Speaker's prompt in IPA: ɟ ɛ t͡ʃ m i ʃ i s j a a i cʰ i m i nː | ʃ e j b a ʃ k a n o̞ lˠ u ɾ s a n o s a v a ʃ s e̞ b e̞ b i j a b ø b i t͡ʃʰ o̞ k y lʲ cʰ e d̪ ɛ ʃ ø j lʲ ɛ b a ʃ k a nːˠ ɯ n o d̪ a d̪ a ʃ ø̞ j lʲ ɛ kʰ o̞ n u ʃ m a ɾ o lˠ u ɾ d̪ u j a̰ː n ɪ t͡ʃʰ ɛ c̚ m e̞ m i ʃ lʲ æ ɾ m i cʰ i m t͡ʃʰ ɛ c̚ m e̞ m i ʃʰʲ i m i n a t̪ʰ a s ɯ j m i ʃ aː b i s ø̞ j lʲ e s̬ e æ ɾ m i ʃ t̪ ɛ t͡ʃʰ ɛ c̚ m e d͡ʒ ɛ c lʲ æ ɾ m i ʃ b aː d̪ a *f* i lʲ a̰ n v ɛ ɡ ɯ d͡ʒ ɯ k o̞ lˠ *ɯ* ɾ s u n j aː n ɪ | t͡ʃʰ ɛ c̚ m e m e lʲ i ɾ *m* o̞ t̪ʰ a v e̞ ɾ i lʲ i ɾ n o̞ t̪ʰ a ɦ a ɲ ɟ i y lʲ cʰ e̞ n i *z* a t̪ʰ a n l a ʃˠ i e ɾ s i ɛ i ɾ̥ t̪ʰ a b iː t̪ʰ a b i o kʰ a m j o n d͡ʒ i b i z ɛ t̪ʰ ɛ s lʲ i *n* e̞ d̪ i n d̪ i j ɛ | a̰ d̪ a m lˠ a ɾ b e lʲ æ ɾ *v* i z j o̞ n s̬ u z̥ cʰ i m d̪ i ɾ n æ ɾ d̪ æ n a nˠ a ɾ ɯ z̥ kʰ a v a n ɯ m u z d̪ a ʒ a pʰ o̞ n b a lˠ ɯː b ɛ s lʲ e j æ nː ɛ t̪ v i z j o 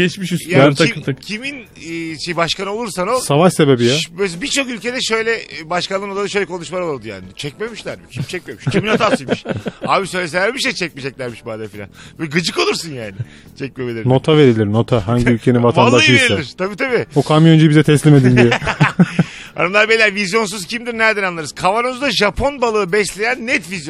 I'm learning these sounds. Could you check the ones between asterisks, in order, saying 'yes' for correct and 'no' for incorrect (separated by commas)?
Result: yes, no, no, no, no, yes